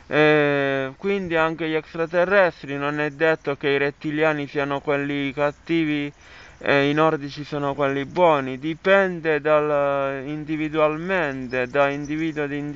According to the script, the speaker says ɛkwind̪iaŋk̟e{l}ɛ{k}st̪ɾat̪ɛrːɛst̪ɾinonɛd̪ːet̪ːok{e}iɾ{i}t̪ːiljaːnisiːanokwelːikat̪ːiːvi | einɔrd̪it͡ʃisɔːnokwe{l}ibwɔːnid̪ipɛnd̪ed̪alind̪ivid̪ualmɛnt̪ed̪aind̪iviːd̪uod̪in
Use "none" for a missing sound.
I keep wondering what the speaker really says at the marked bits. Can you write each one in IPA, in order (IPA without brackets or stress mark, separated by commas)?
ʎ, k, e, e, lː